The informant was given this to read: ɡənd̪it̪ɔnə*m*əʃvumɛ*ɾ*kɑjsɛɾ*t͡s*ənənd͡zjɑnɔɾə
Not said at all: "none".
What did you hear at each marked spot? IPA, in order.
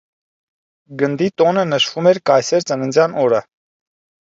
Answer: n, ɾ, t͡s

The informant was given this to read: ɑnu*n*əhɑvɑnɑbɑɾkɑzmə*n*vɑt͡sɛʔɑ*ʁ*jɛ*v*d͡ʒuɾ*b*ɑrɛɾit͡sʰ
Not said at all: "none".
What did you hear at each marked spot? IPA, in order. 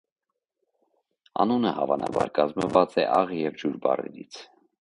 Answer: n, none, ʁ, v, b

